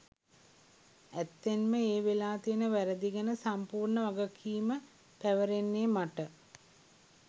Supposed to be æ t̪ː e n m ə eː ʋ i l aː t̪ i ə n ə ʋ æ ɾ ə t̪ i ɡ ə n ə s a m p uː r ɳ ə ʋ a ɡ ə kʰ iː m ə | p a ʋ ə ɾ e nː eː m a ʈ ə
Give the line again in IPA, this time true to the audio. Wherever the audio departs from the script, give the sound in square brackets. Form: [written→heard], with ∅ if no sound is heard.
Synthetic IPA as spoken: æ t̪ː e n m ə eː ʋ [i→e] l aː t̪ i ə n ə ʋ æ ɾ ə [t̪→d̪] i ɡ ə n ə s a m p uː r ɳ ə ʋ a ɡ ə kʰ iː m ə | p [a→æ] ʋ ə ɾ e nː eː m a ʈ ə